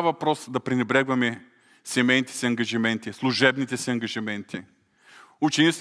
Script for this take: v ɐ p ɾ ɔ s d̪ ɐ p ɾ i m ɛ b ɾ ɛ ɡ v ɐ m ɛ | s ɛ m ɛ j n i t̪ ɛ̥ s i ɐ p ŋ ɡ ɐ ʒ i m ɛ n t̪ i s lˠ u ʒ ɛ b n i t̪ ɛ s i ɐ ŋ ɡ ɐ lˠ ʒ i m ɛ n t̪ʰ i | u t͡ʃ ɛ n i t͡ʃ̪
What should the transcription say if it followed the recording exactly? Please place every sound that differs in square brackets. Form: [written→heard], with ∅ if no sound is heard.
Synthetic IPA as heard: v ɐ p ɾ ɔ s d̪ ɐ p ɾ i [m→n] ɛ b ɾ ɛ ɡ v ɐ m ɛ | s ɛ m ɛ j n i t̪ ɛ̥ s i ɐ [p→∅] ŋ ɡ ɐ ʒ i m ɛ n t̪ i s lˠ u ʒ ɛ b n i t̪ ɛ s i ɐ ŋ ɡ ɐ [lˠ→∅] ʒ i m ɛ n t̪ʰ i | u t͡ʃ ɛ n i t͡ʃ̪